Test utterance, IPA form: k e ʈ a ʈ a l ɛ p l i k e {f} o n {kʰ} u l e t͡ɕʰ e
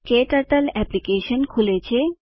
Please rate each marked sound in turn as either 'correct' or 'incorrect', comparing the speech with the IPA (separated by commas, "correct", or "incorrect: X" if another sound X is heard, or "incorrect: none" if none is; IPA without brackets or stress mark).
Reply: incorrect: ʃ, correct